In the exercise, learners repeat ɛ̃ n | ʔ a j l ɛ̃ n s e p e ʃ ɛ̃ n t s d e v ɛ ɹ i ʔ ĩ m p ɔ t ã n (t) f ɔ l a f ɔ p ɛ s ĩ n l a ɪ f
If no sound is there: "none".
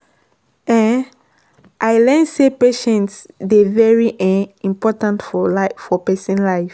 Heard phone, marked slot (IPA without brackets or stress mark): t